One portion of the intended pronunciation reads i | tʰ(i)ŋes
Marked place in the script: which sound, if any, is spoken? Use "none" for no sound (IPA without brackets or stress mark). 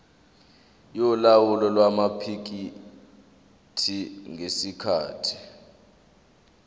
i